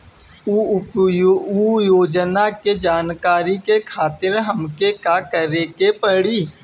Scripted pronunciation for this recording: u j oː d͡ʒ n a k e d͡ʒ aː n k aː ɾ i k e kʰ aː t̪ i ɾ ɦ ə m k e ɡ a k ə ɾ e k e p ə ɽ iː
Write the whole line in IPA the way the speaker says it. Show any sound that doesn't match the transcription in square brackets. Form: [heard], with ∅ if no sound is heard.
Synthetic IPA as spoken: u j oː d͡ʒ n a k e d͡ʒ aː n k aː ɾ i k e kʰ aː t̪ [ɪ] ɾ ɦ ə m k e [k] a k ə ɾ e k e p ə ɽ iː